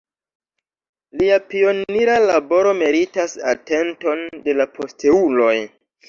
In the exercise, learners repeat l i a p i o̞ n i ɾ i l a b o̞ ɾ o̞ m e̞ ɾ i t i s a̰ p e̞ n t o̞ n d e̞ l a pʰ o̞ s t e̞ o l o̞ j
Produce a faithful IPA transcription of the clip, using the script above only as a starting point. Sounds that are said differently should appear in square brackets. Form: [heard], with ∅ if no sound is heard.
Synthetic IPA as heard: l i a p i o̞ n i ɾ [a] l a b o̞ ɾ o̞ m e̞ ɾ i t [a] s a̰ [t] e̞ n t o̞ n d e̞ l a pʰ o̞ s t e̞ [u] l o̞ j